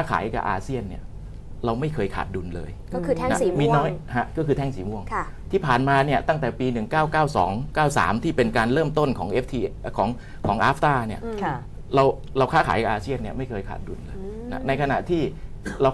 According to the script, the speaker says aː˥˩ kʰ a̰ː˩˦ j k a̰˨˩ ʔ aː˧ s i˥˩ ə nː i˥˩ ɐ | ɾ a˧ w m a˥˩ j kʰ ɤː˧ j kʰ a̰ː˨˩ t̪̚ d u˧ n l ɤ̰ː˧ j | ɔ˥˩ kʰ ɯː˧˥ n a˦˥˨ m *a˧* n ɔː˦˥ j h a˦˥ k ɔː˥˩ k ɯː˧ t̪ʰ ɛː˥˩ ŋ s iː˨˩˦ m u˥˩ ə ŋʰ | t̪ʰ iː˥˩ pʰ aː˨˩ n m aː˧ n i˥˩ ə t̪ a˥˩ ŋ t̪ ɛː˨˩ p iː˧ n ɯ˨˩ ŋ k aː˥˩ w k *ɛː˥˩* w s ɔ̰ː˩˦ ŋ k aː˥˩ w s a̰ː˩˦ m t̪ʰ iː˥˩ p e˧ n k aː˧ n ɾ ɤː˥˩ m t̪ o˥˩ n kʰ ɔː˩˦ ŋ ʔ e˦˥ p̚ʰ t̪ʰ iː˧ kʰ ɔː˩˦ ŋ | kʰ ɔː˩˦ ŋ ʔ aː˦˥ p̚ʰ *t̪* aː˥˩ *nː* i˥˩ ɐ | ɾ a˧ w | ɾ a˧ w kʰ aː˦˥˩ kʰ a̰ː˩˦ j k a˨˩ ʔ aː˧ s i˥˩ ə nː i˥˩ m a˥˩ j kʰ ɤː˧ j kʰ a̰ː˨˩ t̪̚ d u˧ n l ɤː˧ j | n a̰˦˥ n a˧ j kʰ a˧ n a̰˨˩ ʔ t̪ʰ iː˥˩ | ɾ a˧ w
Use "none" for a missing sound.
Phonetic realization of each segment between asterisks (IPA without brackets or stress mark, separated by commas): i˧, aː˥˩, t̪, n